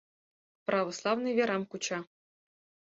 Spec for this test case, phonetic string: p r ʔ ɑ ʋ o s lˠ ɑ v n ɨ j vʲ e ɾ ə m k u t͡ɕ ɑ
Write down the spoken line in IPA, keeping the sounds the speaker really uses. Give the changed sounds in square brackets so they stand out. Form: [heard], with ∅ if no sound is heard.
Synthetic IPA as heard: p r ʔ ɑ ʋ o s lˠ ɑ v n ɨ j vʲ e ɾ [ɑ] m k u t͡ɕ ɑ